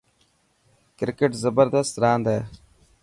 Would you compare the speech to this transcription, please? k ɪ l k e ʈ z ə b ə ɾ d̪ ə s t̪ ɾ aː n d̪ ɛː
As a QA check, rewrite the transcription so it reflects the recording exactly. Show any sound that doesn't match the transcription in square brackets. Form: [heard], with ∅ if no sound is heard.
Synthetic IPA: k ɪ [ɾ] k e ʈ z ə b ə ɾ d̪ ə s t̪ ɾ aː n d̪ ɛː